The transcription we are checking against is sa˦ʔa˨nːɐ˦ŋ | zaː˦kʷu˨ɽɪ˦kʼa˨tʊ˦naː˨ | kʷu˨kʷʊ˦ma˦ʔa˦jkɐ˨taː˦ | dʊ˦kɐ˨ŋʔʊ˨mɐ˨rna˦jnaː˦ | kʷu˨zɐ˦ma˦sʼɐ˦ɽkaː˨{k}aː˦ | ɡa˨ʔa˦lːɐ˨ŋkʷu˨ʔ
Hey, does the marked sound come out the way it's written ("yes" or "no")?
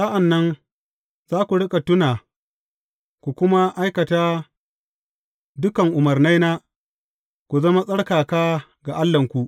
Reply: yes